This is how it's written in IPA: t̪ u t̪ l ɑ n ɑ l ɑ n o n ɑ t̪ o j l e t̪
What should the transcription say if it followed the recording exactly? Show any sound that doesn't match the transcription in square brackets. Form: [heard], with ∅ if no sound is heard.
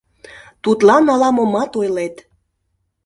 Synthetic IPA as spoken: t̪ u t̪ l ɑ n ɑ l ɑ [m] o [m] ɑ t̪ o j l e t̪

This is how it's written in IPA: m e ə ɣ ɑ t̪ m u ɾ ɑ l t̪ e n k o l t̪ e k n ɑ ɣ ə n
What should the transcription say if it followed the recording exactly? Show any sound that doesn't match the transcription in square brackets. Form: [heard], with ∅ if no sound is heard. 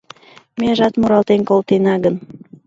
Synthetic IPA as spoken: m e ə [ʒ] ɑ t̪ m u ɾ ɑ l t̪ e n k o l t̪ e [∅] n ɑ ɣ ə n

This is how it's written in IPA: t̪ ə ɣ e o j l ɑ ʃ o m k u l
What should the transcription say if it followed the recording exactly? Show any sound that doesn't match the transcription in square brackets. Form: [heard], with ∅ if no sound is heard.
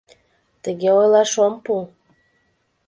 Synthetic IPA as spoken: t̪ ə ɣ e o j l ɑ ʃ o m [p] u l

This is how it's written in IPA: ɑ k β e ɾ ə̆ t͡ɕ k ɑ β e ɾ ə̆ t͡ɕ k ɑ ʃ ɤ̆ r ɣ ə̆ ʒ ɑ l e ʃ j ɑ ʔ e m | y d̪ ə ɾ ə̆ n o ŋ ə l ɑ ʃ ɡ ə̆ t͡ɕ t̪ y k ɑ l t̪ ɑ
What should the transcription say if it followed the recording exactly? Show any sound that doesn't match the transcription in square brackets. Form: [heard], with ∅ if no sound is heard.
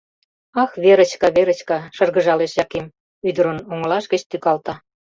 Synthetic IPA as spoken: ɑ [x] β e ɾ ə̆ t͡ɕ k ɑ β e ɾ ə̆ t͡ɕ k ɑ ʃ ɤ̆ r ɣ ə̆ ʒ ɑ l e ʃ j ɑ [k] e m | y d̪ ə ɾ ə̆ n o ŋ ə l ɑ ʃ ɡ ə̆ t͡ɕ t̪ y k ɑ l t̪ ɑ

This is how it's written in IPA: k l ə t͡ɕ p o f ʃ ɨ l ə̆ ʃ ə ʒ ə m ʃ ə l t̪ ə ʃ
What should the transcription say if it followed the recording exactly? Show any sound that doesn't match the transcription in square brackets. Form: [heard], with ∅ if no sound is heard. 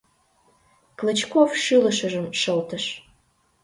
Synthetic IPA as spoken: k l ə t͡ɕ [k] o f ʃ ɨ l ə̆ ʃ ə ʒ ə m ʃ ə l t̪ ə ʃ

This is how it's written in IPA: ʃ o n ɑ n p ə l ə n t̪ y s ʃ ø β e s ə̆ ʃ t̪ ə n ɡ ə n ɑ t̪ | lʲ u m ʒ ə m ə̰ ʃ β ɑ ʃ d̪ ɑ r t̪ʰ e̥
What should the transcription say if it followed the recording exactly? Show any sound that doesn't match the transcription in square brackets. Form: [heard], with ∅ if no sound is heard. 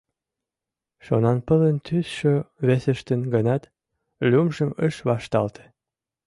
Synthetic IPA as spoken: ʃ o n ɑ n p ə l ə n t̪ y s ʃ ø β e s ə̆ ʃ t̪ ə n ɡ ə n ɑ t̪ | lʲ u m ʒ ə m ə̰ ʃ β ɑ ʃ [t̪] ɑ [l] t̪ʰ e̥

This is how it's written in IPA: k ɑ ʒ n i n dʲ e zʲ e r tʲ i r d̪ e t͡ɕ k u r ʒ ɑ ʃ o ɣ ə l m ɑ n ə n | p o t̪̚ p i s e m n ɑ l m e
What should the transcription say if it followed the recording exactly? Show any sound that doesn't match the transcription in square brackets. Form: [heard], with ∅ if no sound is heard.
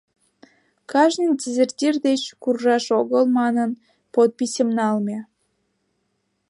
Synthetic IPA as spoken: k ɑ ʒ n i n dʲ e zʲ e r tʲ i r d̪ e t͡ɕ k u r ʒ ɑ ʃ o ɣ ə l m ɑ n ə n | p o t̪̚ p i s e m n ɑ l m e

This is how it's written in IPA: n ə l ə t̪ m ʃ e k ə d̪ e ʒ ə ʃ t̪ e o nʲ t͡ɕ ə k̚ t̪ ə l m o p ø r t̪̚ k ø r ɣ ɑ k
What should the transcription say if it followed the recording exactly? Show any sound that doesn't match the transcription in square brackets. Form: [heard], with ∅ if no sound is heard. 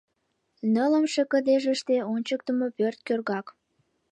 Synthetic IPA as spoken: n ə l ə [∅] m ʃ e k ə d̪ e ʒ ə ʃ t̪ e o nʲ t͡ɕ ə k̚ t̪ ə [∅] m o p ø r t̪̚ k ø r ɣ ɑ k

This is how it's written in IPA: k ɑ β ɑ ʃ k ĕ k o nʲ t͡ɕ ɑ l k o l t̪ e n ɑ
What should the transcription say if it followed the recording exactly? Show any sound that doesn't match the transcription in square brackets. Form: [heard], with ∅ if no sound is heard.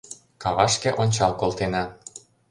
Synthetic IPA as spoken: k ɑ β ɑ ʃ k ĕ [ʔ] o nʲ t͡ɕ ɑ l k o l t̪ e n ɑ

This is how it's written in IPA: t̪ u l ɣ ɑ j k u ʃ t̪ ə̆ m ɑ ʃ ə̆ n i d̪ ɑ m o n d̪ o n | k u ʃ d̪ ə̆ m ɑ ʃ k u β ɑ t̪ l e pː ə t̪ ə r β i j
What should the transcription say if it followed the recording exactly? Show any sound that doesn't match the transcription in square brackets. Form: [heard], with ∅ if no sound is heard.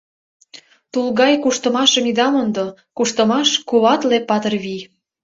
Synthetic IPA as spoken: t̪ u l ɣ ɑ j k u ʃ t̪ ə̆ m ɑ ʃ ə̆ [m] i d̪ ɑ m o n d̪ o [∅] | k u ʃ [t̪] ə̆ m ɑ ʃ k u β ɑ t̪ l e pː [ɑ] t̪ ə r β i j

